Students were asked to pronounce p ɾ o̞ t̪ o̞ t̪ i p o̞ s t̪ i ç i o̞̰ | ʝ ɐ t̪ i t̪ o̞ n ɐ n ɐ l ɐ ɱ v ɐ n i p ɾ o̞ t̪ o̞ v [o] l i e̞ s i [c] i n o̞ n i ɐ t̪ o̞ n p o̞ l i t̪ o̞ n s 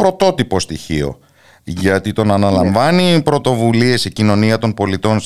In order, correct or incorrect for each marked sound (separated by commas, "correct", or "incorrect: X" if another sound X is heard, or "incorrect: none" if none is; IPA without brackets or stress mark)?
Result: incorrect: u, correct